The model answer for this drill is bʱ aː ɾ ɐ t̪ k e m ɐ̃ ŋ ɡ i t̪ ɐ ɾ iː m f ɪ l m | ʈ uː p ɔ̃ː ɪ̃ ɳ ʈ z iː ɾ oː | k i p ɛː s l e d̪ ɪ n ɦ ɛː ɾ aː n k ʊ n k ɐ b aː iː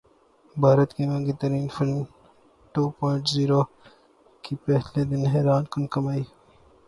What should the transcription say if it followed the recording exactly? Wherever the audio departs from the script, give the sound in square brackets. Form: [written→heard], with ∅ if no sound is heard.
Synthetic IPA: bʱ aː ɾ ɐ t̪ k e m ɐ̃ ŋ ɡ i t̪ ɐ ɾ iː [m→n] f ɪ l m | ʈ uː p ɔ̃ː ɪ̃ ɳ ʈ z iː ɾ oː | k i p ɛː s l e d̪ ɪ n ɦ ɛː ɾ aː n k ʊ n k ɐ [b→m] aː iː